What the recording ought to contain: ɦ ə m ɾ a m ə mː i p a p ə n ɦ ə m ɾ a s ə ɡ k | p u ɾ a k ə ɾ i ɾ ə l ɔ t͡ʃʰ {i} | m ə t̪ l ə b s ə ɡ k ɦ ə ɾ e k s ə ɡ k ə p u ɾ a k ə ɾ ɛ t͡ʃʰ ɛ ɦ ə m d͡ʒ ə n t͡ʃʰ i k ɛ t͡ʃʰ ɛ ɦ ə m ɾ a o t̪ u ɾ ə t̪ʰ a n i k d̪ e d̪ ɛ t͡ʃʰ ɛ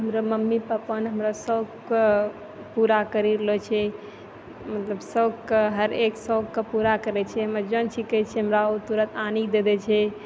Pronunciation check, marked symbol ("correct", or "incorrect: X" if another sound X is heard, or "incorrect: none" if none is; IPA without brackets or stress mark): incorrect: ɛ